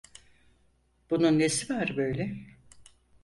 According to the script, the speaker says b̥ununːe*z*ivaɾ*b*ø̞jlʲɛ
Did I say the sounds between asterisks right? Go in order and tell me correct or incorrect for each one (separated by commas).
incorrect, correct